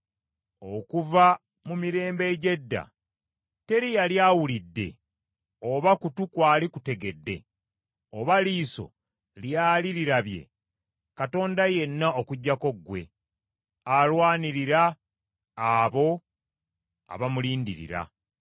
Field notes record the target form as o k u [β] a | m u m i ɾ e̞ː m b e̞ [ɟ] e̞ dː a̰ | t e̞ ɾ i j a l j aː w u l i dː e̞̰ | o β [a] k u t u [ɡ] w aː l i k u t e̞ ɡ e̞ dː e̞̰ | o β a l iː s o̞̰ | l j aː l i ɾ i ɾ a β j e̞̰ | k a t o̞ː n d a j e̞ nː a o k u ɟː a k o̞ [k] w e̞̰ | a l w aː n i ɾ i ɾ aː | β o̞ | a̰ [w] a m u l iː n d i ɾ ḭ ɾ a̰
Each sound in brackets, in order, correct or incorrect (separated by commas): incorrect, correct, correct, incorrect, incorrect, incorrect